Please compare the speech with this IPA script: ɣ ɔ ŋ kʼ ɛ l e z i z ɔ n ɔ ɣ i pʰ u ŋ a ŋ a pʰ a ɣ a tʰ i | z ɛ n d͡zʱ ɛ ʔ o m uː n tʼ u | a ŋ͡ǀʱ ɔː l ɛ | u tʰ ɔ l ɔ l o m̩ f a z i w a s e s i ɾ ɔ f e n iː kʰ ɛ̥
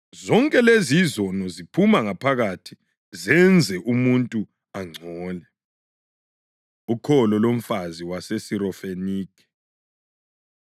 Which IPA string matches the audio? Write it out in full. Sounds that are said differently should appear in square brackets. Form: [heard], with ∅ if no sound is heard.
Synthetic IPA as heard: [z] ɔ ŋ kʼ ɛ l e z i z ɔ n ɔ [z] i pʰ u [m] a ŋ a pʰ a ɣ a tʰ i | z ɛ n d͡zʱ ɛ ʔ [u] m [u] n tʼ u | a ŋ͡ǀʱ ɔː l ɛ | u [kʰ] ɔ l ɔ l o m̩ f a z i w a s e s i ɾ ɔ f e n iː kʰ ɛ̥